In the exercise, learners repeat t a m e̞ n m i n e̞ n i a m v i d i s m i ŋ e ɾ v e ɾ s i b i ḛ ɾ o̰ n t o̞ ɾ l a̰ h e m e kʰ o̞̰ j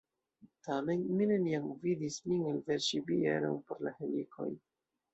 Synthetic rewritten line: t a m e̞ n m i n e̞ n i a m v i d i s m i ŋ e l v e ɾ ʃ i b i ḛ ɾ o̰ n p o̞ ɾ l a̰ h e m i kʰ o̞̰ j